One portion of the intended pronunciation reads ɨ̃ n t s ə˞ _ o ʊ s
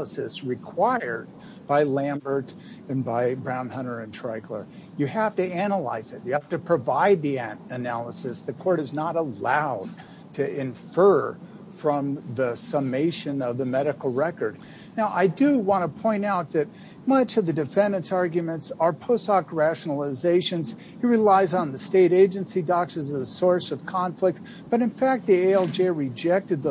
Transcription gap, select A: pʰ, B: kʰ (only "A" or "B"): A